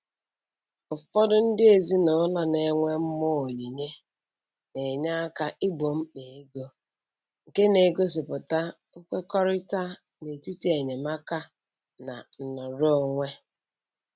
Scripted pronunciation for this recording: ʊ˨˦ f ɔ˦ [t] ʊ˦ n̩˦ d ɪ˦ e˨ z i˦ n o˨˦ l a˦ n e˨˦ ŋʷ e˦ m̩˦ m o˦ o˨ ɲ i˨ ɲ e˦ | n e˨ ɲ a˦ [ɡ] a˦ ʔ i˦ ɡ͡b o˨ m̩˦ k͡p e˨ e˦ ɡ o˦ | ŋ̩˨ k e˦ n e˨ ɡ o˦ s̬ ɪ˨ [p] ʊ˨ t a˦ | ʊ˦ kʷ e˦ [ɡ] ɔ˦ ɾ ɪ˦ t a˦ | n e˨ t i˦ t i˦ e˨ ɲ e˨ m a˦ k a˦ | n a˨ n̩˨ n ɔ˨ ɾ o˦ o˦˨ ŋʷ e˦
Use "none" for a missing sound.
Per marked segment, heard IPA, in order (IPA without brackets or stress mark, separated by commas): d, k, p, k